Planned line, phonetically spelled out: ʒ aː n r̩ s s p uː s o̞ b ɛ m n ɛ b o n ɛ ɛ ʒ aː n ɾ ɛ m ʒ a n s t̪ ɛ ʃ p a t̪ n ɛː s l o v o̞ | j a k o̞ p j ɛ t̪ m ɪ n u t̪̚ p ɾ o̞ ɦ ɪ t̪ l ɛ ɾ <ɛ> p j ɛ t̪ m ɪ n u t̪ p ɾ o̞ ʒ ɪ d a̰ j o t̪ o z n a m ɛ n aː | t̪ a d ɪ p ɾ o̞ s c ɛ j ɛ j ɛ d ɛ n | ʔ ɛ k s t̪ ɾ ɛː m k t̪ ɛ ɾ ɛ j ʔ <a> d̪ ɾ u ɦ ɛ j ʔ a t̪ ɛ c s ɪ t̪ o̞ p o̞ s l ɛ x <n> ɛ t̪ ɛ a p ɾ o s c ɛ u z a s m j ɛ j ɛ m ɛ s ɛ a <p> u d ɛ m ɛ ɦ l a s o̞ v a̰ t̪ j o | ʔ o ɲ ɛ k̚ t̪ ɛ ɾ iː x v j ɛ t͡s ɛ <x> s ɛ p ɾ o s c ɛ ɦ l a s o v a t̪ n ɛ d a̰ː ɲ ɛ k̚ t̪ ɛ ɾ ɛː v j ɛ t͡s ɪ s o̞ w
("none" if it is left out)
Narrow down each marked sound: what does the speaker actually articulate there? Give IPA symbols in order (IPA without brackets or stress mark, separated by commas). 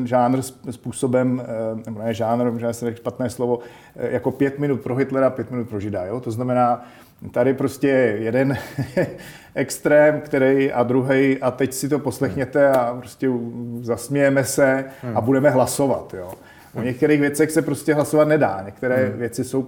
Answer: a, a, ɲ, b, x